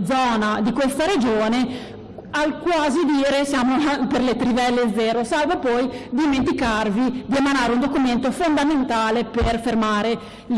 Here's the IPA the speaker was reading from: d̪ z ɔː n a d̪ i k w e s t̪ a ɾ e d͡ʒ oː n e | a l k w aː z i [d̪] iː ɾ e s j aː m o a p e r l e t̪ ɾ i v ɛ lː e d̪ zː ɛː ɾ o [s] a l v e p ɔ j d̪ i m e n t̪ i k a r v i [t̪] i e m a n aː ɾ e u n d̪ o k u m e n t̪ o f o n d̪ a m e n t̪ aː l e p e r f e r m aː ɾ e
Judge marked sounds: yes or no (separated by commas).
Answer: yes, yes, no